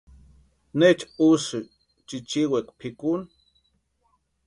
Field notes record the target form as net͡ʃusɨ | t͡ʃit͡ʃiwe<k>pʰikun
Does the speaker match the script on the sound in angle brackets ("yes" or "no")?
yes